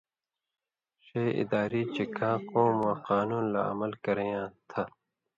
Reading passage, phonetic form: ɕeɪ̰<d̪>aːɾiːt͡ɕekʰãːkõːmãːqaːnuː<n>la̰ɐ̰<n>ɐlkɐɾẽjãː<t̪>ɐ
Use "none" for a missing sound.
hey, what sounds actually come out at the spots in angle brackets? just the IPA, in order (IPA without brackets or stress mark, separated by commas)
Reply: d̪, n, m, t̪ʰ